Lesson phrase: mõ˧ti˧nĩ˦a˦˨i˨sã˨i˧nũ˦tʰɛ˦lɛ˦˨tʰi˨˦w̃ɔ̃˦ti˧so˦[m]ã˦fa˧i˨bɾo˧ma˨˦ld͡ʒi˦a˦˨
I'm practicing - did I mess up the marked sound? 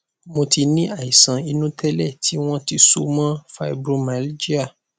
no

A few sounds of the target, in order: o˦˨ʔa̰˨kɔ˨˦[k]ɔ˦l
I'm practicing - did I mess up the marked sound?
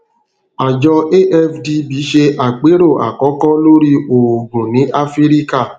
no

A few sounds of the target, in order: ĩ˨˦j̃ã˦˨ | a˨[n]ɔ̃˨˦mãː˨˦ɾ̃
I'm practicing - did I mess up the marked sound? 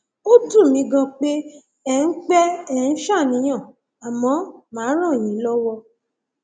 yes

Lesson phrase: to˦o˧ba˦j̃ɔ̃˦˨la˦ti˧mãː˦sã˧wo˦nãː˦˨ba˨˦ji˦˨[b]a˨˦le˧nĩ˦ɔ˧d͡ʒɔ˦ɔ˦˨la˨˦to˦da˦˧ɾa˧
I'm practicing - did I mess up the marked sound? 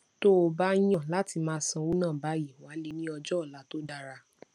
yes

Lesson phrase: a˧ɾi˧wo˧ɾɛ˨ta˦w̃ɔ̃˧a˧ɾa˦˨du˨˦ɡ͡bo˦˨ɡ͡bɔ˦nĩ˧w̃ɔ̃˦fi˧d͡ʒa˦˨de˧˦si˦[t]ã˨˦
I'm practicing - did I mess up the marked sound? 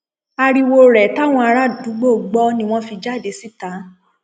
no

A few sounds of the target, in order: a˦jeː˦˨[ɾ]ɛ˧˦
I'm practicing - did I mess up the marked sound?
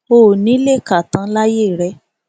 no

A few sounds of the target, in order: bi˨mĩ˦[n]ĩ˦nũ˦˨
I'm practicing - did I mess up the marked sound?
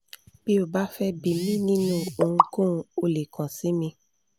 no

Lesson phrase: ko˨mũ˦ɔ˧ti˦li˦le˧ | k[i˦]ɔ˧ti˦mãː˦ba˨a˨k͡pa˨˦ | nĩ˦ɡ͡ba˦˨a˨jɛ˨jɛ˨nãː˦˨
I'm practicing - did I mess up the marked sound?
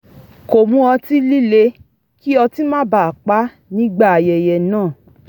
no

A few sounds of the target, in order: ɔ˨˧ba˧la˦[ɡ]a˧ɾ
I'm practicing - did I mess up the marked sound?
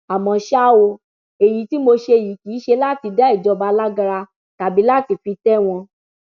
no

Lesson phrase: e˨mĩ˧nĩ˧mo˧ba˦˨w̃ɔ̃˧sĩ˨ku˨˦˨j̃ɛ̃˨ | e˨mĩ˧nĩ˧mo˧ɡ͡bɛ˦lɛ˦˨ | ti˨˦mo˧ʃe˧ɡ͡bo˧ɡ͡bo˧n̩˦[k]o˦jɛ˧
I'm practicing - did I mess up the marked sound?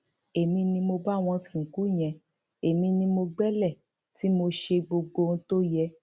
yes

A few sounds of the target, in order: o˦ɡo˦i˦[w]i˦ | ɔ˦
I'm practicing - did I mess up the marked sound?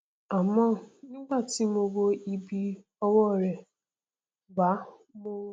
yes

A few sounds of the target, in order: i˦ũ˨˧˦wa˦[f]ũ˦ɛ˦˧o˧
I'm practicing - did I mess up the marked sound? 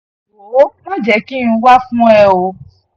no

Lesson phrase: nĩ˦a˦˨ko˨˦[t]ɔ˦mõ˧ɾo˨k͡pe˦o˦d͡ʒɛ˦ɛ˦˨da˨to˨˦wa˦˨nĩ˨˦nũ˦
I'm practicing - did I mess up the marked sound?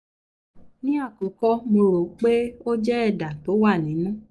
yes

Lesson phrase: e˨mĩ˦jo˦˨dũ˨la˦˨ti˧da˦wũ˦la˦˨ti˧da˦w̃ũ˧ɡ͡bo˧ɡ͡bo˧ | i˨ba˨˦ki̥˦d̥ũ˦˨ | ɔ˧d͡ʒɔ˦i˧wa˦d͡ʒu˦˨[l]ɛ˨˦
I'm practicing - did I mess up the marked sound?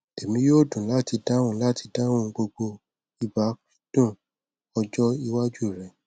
yes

